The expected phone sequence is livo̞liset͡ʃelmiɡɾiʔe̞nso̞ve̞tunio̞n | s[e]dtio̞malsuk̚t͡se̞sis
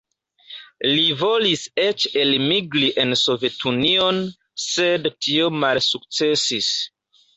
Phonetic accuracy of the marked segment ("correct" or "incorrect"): correct